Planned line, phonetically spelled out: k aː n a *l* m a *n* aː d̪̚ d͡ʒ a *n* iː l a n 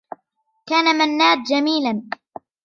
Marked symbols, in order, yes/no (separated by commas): no, no, no